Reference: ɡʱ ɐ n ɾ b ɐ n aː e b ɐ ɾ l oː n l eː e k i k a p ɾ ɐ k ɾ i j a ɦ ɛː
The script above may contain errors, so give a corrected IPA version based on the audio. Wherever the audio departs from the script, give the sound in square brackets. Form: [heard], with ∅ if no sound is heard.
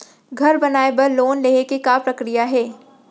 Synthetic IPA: ɡʱ ɐ [∅] ɾ b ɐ n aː e b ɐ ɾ l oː n l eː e k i k a p ɾ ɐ k ɾ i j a ɦ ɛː

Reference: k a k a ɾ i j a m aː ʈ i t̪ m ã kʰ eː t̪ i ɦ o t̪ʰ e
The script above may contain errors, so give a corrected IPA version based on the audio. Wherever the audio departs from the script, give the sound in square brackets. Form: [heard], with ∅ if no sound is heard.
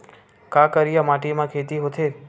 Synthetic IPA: k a k [ə] ɾ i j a m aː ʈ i [∅] m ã kʰ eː t̪ i ɦ o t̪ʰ e

